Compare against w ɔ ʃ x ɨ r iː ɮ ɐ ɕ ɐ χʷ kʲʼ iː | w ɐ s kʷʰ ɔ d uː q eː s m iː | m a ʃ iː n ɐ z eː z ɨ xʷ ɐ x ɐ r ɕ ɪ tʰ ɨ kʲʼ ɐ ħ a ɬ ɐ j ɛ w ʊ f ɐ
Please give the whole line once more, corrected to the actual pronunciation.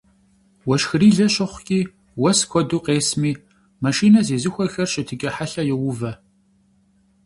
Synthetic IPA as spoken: w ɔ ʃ x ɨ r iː ɮ ɐ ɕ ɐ χʷ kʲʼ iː | w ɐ s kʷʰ ɔ d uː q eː s m iː | m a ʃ iː n ɐ z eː z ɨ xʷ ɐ x ɐ r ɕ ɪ tʰ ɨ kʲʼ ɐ ħ a ɬ ɐ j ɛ w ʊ v ɐ

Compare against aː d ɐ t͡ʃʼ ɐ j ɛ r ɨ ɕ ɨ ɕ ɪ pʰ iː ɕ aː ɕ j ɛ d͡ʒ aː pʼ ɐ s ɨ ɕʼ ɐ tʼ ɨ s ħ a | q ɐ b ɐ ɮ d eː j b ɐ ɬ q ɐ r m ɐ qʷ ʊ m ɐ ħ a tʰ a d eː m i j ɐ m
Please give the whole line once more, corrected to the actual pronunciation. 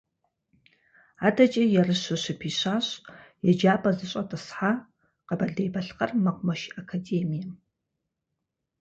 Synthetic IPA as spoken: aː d ɐ t͡ʃʼ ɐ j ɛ r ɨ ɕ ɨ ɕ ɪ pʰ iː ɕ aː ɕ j ɛ d͡ʒ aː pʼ ɐ z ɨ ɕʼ ɐ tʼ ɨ s ħ a | q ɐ b ɐ ɮ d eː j b ɐ ɬ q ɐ r m ɐ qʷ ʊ m ɐ ʃ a kʰ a d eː m i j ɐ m

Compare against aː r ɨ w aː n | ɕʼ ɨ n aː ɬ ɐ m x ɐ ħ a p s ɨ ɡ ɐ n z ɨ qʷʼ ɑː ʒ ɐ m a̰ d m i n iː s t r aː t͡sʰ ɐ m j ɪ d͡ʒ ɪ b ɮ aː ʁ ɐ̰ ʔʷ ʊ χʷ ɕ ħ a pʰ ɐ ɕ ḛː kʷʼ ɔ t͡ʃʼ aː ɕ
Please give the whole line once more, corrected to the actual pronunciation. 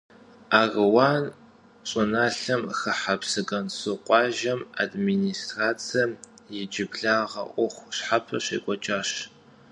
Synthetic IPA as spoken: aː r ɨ w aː n | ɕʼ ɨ n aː ɬ ɐ m x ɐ ħ a p s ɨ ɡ ɐ n s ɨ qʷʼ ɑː ʒ ɐ m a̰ d m i n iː s t r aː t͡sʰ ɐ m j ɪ d͡ʒ ɪ b ɮ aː ʁ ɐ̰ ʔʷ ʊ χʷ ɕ ħ a pʰ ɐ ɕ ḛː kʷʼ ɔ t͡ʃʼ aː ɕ

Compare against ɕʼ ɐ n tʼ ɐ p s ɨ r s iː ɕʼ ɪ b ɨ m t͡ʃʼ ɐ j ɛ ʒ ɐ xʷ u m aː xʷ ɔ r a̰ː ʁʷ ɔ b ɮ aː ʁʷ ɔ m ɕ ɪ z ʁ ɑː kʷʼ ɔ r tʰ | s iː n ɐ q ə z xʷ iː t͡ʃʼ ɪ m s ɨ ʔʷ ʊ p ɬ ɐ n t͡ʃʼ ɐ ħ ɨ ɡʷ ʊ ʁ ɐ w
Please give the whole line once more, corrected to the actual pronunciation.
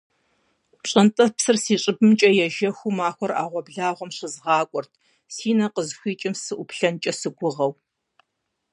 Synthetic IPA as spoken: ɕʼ ɐ n tʼ ɐ p s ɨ r s iː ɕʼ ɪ b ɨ m t͡ʃʼ ɐ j ɛ ʒ ɐ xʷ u m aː xʷ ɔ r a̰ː ʁʷ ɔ b ɮ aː ʁʷ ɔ m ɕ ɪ z ʁ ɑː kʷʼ ɔ r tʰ | s iː n ɐ q ə z xʷ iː t͡ʃʼ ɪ m s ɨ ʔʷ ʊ p ɬ ɐ n t͡ʃʼ ɐ s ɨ ɡʷ ʊ ʁ ɐ w

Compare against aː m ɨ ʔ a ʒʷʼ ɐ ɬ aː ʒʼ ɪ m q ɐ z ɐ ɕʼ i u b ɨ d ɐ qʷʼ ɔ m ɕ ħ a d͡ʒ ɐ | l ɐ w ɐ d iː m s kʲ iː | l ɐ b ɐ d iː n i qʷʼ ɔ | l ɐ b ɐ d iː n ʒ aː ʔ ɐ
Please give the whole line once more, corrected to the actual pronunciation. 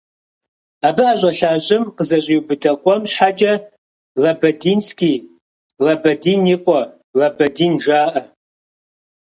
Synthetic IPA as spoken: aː b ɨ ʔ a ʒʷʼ ɐ ɬ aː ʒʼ ɪ m q ə z ɐ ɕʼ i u b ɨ d ɐ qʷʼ ɔ m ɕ ħ a d͡ʒ ɐ | l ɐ b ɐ d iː n s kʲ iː | l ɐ b ɐ d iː n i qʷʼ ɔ | l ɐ b ɐ d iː n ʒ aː ʔ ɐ

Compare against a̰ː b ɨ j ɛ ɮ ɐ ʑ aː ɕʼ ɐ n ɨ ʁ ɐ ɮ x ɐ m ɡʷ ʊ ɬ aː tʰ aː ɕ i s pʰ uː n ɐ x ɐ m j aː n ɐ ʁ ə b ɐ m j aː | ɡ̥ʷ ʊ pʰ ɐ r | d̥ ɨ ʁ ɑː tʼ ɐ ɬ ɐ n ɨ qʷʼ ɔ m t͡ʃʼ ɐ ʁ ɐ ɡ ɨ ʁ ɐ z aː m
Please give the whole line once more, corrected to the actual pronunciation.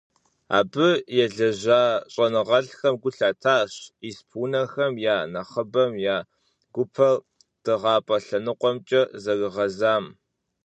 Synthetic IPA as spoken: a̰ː b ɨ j ɛ ɮ ɐ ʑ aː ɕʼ ɐ n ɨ ʁ ɐ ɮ x ɐ m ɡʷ ʊ ɬ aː tʰ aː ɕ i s pʰ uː n ɐ x ɐ m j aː n ɐ χ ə b ɐ m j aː | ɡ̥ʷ ʊ pʰ ɐ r | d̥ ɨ ʁ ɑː pʼ ɐ ɬ ɐ n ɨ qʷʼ ɔ m t͡ʃʼ ɐ z ɐ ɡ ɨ ʁ ɐ z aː m

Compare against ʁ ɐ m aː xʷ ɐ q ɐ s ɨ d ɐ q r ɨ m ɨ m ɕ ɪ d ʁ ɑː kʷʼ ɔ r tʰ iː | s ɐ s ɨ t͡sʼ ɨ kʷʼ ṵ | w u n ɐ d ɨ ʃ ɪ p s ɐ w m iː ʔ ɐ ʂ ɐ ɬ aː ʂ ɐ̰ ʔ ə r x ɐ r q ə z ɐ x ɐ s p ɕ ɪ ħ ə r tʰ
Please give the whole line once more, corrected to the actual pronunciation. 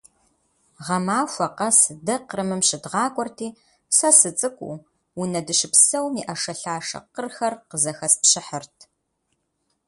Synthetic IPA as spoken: ʁ ɐ m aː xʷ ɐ q ɐ s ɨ d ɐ q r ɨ m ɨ m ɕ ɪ d ʁ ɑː kʷʼ ɔ r tʰ iː | s ɐ s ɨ t͡sʼ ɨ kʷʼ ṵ | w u n ɐ d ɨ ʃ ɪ p s ɐ w m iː ʔ ɐ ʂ ɐ ɬ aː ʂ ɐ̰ q ə r x ɐ r q ə z ɐ x ɐ s p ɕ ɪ ħ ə r tʰ

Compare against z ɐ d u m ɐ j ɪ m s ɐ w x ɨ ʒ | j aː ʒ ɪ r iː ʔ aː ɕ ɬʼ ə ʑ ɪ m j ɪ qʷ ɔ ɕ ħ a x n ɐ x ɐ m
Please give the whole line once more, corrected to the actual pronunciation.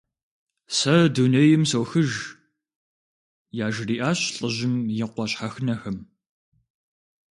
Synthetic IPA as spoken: s ɐ d u n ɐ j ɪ m s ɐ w x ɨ ʒ | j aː ʒ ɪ r iː ʔ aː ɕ ɬʼ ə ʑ ɪ m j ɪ qʷ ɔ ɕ ħ a x n ɐ x ɐ m

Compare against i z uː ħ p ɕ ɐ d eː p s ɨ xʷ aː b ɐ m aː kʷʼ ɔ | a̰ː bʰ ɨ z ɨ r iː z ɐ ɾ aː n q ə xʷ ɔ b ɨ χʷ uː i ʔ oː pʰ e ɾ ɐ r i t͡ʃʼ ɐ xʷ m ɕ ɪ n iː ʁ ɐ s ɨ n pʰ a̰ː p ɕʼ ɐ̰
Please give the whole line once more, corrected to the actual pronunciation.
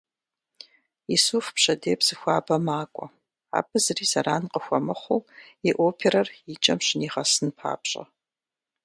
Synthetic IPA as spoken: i s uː f p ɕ ɐ d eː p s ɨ xʷ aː b ɐ m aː kʷʼ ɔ | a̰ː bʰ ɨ z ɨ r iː z ɐ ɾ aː n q ə xʷ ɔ m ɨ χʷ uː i ʔ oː pʰ e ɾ ɐ r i t͡ʃʼ ɐ m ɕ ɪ n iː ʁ ɐ s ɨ n pʰ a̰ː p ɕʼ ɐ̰

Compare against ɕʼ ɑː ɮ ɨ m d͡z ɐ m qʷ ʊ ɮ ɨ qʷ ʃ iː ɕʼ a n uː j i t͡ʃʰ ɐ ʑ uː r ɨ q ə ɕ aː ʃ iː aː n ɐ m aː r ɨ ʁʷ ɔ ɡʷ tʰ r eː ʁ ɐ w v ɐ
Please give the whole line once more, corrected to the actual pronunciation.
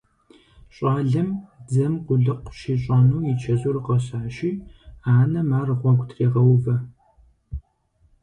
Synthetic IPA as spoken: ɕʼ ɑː ɮ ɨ m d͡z ɐ m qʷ ʊ ɮ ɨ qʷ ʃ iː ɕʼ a n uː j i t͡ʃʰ ɐ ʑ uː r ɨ q ɐ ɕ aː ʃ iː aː n ɐ m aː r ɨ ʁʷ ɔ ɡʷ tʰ r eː ʁ ɐ w v ɐ

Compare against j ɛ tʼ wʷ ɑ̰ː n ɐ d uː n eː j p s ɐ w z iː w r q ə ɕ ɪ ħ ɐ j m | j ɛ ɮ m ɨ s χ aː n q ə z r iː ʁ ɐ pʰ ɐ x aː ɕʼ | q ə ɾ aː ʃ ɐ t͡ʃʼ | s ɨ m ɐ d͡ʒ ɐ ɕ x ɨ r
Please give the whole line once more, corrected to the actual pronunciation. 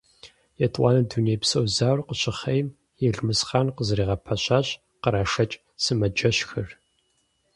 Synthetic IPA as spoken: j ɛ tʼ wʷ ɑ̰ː n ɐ d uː n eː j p s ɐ w z aː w r q ə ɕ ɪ χ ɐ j m | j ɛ ɮ m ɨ s χ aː n q ə z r iː ʁ ɐ pʰ ɐ ɕ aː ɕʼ | q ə ɾ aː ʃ ɐ t͡ʃʼ | s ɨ m ɐ d͡ʒ ɐ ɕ x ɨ r

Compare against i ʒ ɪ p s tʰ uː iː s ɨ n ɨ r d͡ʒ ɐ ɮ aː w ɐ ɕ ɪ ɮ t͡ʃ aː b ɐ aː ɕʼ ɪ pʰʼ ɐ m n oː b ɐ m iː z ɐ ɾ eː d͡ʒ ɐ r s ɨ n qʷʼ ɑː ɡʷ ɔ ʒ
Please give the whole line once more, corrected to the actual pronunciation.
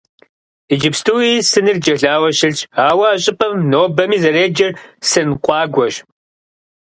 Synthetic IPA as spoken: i d͡ʒ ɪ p s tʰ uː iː s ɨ n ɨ r d͡ʒ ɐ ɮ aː w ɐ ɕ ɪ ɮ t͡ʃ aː w ɐ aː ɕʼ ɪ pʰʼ ɐ m n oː b ɐ m iː z ɐ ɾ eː d͡ʒ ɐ r s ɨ n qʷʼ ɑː ɡʷ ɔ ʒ

